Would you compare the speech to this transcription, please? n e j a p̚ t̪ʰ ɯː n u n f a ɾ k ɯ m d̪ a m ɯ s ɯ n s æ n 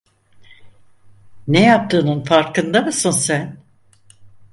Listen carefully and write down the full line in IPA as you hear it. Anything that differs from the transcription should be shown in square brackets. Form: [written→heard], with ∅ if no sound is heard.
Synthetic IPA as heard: n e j a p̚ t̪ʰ ɯː n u n f a ɾ k ɯ [m→n] d̪ a m ɯ s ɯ n s æ n